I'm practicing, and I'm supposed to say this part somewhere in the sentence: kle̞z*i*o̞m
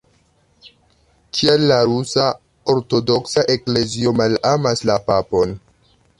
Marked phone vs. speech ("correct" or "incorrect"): correct